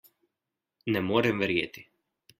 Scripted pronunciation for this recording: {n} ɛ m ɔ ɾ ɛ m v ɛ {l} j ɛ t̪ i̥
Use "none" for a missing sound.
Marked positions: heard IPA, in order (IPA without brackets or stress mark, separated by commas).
n, ɾ